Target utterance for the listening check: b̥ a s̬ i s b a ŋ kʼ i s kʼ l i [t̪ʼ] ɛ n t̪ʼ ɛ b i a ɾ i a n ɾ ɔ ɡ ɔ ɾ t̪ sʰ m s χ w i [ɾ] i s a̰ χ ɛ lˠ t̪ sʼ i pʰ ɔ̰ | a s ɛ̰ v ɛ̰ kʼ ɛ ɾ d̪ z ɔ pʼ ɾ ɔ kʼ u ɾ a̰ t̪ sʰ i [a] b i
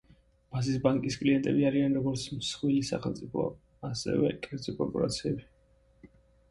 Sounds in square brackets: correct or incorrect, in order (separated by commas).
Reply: incorrect, incorrect, incorrect